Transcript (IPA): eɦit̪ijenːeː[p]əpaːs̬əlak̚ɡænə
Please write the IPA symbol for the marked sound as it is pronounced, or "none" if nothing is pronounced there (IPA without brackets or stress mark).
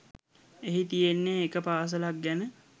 k